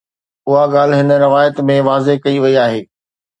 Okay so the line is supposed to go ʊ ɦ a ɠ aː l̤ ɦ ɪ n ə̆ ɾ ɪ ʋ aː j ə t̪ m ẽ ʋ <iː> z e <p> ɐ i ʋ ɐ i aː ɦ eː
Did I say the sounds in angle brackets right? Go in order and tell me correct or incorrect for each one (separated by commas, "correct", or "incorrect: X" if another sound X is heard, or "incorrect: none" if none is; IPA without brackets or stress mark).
incorrect: aː, incorrect: k